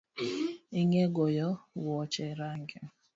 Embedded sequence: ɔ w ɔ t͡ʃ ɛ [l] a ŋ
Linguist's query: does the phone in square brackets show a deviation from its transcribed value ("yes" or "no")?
yes